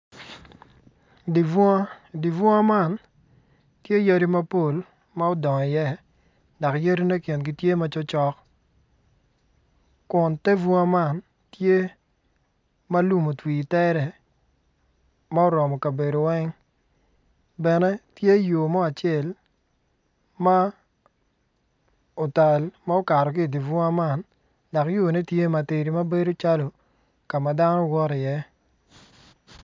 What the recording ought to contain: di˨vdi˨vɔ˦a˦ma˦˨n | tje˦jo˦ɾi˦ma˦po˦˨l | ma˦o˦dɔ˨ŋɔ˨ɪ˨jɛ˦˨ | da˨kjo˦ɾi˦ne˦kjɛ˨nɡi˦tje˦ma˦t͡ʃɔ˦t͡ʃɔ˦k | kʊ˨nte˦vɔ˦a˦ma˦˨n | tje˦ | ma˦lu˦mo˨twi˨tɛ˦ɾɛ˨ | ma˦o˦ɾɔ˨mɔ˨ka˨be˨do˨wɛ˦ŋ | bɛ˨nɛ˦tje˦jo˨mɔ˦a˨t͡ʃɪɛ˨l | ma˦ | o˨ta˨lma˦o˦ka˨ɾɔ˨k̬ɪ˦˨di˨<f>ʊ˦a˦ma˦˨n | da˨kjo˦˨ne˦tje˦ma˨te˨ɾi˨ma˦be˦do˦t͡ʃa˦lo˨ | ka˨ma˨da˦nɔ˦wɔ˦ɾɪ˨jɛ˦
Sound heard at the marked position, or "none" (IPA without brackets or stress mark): v